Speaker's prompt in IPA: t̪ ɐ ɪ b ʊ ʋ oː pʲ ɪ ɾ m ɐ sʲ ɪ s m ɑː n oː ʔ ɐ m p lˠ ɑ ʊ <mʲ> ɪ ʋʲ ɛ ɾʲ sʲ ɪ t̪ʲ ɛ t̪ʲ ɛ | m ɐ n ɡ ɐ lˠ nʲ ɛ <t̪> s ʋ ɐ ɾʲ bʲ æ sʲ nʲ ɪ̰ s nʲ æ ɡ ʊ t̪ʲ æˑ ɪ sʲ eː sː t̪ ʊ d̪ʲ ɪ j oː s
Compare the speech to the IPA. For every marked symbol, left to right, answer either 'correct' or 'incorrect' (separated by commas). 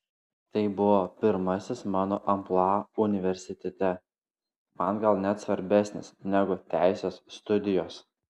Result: incorrect, correct